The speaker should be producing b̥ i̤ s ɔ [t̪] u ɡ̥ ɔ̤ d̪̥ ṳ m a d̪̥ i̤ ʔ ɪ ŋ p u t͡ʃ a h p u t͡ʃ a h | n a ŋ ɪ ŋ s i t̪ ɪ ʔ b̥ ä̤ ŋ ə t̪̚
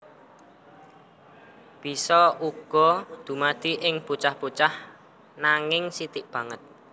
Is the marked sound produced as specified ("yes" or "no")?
no